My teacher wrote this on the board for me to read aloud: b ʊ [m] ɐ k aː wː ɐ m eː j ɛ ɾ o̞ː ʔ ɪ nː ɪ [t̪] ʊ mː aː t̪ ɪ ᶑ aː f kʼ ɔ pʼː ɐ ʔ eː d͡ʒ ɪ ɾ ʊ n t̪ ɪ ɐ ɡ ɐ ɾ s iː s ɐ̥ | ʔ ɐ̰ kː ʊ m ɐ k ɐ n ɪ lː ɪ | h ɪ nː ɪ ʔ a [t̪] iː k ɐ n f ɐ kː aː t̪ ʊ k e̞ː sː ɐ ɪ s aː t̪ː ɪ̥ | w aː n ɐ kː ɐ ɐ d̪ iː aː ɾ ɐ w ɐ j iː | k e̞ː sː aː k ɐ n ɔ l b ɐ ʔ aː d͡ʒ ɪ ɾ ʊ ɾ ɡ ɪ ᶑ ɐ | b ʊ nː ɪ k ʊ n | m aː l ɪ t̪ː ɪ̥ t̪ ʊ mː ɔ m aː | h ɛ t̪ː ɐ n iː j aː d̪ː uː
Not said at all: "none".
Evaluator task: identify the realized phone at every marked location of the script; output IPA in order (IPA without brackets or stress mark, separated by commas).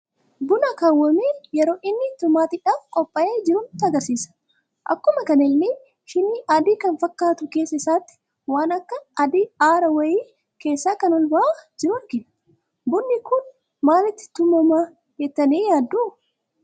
n, t̪, d̪